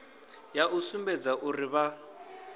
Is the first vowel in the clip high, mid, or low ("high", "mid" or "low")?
low